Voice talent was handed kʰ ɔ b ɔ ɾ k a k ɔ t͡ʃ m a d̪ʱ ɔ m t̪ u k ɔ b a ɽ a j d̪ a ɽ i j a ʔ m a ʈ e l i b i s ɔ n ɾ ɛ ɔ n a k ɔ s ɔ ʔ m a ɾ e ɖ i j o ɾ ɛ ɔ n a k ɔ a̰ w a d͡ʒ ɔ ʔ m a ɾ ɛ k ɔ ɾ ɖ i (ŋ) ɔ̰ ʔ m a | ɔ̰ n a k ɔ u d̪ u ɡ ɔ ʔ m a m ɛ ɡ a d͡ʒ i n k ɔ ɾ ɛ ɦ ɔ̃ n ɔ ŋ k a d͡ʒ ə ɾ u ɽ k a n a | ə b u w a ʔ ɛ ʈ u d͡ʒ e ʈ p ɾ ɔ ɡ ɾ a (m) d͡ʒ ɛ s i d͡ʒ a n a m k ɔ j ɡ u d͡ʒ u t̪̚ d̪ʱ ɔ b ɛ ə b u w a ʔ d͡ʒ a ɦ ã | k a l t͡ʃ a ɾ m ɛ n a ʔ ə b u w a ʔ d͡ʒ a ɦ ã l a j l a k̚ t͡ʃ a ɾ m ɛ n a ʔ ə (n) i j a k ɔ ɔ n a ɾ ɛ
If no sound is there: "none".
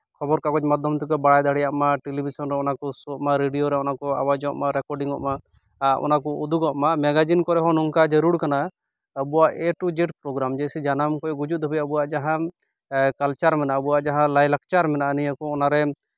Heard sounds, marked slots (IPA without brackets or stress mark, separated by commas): ŋ, m, n